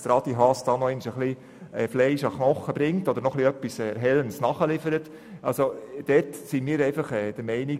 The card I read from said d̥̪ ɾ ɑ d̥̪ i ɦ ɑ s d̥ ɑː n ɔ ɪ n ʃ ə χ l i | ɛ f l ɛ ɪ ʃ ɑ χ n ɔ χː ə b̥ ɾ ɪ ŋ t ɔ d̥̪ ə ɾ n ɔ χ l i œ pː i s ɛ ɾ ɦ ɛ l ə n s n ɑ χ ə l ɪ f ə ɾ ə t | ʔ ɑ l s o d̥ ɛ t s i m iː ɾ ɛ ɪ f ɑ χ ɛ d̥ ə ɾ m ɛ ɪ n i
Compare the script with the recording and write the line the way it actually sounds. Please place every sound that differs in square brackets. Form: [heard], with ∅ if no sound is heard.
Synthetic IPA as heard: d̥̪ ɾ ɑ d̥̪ i ɦ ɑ s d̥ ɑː n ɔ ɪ n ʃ ə χ l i | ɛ f l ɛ ɪ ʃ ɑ χ n ɔ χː ə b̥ ɾ ɪ ŋ t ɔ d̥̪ ə ɾ n ɔ χ l i œ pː i s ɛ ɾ ɦ ɛ l ə n s n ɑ χ ə l ɪ f ə ɾ ə t | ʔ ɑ l s o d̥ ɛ t s i m iː ɾ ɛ ɪ f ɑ χ ɛ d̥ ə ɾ m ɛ ɪ n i